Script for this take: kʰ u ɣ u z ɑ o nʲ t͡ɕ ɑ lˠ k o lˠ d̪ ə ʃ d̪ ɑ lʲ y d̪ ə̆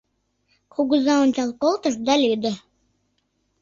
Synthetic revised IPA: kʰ u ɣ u z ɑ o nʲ t͡ɕ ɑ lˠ k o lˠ t̪ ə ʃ d̪ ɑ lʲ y d̪ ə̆